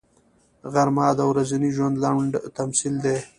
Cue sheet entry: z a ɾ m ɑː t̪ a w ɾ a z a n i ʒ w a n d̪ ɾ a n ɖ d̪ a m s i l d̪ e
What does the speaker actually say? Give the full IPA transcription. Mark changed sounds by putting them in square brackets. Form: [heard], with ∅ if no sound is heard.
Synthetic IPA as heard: [ɣ] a ɾ m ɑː [d̪] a w ɾ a z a n i ʒ w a n d̪ [l] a [ɳ] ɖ [t̪] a m s i l d̪ e

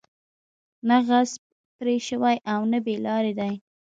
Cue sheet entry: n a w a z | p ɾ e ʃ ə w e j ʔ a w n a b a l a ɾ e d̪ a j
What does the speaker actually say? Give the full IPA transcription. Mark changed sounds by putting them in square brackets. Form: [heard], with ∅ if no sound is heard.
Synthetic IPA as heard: n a [ɣ] a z | p ɾ e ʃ ə w [a] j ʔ a w n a b [e] l [ɑ] ɾ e d̪ a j

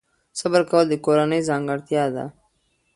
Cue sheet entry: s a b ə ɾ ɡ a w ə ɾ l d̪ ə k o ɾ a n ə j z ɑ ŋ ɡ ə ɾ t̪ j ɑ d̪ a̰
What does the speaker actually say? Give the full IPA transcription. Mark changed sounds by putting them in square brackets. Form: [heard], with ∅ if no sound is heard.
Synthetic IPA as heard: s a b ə ɾ [k] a w ə [∅] l d̪ ə k o ɾ a n ə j z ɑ ŋ ɡ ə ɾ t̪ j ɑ d̪ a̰

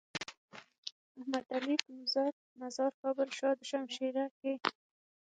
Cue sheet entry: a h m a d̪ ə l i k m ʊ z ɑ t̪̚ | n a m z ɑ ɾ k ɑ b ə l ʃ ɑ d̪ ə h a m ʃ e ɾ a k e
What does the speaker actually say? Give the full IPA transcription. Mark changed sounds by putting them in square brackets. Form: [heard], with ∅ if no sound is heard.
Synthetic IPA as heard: a h m a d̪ [a] l i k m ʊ z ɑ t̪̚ | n a [∅] z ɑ ɾ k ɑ b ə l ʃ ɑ d̪ ə [ʃ] a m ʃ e ɾ a k e

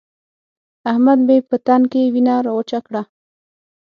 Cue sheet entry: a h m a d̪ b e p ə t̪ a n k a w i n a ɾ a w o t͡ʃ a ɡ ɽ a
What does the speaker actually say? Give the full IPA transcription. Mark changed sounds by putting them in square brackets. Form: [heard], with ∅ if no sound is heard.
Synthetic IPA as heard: a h m a d̪ b e p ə t̪ a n k [e] w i n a ɾ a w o t͡ʃ a [k] ɽ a

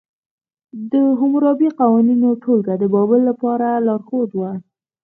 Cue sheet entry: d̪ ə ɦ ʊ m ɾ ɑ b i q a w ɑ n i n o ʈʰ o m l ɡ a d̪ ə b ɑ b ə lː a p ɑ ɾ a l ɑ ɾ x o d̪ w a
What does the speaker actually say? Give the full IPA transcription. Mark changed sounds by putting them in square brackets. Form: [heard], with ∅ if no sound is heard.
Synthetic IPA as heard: d̪ ə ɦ ʊ m ɾ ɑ b i q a w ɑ n i n o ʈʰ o [∅] l ɡ a d̪ ə b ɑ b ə lː a p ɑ ɾ a l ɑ ɾ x o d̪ w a

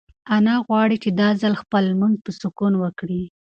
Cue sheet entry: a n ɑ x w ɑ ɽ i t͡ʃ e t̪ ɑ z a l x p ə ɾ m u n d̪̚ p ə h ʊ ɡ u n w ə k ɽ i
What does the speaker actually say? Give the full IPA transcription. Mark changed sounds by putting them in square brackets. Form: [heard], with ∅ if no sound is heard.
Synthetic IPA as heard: a n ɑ [ɣ] w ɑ ɽ i t͡ʃ e [d̪] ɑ z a l x p ə [l] m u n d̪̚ p ə [s] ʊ [k] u n w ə k ɽ i

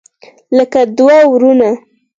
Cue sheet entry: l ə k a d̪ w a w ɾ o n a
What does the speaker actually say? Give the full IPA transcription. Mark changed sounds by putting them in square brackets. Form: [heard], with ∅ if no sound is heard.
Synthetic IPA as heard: l ə k a d̪ w a w ɾ [u] n a

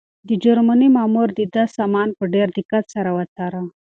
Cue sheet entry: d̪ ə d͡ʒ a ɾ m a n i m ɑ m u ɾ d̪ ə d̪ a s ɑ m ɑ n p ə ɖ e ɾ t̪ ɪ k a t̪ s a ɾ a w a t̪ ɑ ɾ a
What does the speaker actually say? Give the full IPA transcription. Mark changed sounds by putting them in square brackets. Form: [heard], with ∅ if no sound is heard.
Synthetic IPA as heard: d̪ ə d͡ʒ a ɾ m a n i m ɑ m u ɾ d̪ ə d̪ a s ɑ m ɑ n p ə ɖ e ɾ [d̪] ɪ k a t̪ s a ɾ a w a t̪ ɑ ɾ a

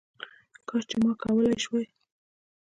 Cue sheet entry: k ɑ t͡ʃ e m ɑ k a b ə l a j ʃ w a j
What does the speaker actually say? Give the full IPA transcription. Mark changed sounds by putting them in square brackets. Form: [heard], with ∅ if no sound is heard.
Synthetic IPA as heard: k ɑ t͡ʃ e m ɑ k a [w] ə l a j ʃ w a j

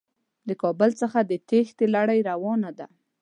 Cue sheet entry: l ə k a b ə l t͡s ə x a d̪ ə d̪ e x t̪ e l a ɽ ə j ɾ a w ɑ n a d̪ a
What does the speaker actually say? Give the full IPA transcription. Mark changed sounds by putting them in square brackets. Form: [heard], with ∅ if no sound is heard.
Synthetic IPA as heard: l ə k [ɑ] b ə l t͡s ə x a d̪ ə [t̪] e x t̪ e l a ɽ [a] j ɾ a w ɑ n a d̪ a

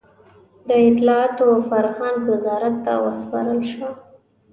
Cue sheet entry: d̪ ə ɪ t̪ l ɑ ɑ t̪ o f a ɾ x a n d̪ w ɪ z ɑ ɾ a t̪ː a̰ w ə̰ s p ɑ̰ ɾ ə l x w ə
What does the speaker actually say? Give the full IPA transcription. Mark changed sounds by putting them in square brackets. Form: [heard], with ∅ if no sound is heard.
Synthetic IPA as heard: d̪ ə ɪ t̪ l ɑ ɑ t̪ o f a ɾ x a n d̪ w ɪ z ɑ ɾ a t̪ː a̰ w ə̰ s p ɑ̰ ɾ ə l [ʃ] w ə

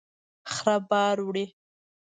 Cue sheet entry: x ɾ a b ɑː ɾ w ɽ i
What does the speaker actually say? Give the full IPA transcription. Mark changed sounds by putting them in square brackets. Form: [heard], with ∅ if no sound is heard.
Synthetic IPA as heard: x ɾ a b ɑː ɾ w ɽ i

